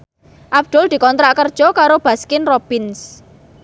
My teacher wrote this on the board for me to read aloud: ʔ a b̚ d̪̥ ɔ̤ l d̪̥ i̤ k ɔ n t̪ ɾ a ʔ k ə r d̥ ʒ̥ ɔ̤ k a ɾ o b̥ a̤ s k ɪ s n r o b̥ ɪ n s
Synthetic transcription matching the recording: ʔ a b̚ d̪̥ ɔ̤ l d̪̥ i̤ k ɔ n t̪ ɾ a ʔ k ə r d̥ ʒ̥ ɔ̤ k a ɾ o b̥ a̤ s k ɪ n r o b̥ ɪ n s